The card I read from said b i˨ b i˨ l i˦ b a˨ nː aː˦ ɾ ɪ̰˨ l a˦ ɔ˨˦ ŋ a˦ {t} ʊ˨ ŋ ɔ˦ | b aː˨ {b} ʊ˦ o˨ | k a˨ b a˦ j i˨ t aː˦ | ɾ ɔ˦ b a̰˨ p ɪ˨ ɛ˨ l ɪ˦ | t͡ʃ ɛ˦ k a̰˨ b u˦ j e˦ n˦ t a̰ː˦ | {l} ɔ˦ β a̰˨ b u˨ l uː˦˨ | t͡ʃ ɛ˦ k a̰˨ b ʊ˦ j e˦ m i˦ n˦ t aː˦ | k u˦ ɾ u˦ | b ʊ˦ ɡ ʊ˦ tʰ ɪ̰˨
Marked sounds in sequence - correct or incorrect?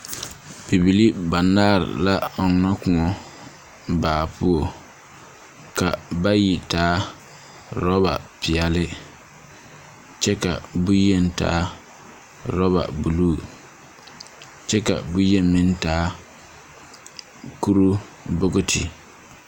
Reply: incorrect: k, incorrect: p, incorrect: ɾ

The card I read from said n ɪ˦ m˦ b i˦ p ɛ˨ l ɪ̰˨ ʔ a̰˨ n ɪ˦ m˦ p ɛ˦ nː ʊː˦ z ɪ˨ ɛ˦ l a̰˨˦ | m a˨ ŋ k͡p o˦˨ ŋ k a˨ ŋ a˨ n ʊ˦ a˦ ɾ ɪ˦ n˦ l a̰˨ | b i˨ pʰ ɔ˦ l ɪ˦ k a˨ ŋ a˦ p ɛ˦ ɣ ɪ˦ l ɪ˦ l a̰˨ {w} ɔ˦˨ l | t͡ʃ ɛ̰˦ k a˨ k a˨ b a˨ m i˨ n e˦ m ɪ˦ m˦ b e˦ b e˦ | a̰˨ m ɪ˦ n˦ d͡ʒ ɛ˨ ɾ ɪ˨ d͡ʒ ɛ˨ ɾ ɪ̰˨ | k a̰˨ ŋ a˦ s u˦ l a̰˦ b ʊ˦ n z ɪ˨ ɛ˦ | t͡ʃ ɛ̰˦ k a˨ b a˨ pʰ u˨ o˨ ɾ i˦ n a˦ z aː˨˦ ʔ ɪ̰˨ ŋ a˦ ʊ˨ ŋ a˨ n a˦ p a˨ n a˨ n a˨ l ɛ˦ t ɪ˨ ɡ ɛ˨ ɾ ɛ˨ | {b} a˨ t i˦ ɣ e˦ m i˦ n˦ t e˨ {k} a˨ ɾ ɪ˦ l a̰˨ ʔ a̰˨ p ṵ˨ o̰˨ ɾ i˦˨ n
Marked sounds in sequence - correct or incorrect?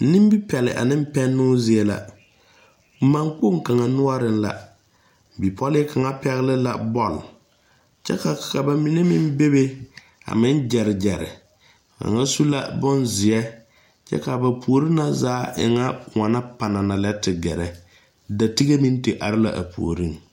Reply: incorrect: b, incorrect: d, incorrect: ʔ

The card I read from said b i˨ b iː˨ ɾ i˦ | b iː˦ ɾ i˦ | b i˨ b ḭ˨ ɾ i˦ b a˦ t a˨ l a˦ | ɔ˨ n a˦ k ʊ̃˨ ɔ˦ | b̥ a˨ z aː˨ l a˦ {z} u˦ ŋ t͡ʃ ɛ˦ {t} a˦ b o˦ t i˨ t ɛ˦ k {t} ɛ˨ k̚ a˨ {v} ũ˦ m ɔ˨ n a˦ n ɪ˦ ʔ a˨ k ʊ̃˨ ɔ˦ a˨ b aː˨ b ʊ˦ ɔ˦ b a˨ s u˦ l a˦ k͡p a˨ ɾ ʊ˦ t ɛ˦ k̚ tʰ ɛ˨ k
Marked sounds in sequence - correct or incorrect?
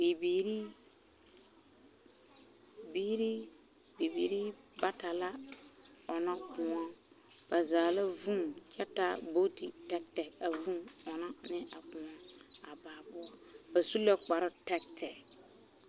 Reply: incorrect: v, correct, correct, correct

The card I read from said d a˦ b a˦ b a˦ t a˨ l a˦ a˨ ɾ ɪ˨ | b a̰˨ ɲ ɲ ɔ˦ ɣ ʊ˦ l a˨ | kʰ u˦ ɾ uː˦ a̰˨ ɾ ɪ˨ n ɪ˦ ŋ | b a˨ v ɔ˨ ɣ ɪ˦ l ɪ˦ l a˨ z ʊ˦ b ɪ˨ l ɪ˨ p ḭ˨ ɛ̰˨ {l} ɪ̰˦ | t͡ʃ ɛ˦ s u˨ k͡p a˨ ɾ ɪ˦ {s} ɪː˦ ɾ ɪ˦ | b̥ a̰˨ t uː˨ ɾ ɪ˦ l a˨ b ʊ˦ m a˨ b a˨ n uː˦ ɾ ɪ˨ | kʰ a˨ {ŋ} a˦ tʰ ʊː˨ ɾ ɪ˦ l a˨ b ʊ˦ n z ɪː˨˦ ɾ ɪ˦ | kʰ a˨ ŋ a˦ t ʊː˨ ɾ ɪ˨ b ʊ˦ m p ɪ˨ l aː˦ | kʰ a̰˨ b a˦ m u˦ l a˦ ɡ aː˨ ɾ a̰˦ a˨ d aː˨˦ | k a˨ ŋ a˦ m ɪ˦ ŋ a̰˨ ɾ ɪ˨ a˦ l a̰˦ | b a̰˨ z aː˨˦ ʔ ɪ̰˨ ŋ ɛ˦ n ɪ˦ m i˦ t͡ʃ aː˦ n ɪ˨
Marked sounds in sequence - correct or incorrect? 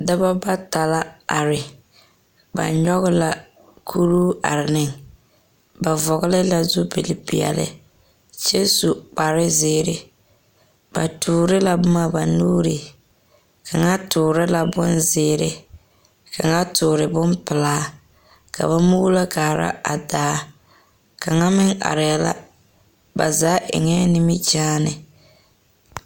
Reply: correct, incorrect: z, correct

